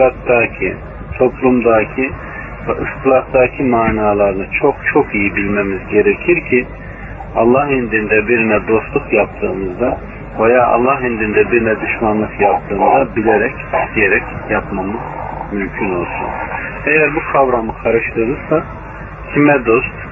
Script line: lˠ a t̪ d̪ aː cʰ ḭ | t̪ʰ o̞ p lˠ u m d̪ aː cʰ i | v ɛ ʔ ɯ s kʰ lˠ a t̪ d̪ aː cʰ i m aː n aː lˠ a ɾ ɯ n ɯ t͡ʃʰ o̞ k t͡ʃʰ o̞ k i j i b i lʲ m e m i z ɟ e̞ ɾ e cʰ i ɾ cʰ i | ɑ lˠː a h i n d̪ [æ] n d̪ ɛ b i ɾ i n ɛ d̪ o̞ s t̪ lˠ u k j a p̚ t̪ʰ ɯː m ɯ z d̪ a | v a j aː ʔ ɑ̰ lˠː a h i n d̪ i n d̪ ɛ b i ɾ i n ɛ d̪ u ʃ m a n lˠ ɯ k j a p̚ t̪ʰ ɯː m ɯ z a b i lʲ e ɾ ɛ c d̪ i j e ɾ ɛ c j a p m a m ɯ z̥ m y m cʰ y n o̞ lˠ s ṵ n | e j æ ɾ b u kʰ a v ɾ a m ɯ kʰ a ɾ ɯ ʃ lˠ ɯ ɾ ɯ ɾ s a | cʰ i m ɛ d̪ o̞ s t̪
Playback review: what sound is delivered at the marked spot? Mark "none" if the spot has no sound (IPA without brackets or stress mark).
i